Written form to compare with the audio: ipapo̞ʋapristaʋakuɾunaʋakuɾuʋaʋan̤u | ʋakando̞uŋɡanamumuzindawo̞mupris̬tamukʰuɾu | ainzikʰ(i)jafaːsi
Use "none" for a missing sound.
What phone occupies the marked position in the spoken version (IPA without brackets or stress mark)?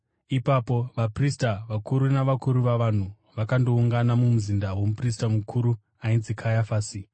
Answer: a